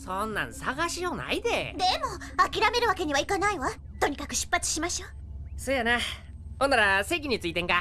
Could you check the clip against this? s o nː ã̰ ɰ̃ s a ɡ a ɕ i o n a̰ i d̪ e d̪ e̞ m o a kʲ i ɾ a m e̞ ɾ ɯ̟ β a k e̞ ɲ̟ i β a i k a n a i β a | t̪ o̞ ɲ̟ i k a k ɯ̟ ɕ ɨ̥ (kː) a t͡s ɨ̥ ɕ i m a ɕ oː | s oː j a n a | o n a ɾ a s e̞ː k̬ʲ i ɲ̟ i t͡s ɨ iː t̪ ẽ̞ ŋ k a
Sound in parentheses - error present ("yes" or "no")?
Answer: yes